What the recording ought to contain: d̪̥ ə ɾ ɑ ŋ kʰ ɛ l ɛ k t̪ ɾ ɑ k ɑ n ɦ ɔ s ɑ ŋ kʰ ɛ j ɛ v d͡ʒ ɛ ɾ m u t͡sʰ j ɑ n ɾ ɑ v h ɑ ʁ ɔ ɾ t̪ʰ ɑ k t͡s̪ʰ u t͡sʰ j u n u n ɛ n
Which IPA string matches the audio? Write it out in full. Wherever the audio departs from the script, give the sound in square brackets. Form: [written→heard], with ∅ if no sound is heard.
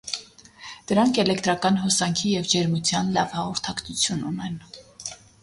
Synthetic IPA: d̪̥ ə ɾ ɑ ŋ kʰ ɛ l ɛ k t̪ ɾ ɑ k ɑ n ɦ ɔ s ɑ ŋ kʰ [ɛ→i] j ɛ v d͡ʒ ɛ ɾ m u t͡sʰ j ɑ n [ɾ→l] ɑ v h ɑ ʁ ɔ ɾ t̪ʰ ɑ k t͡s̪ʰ u t͡sʰ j u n u n ɛ n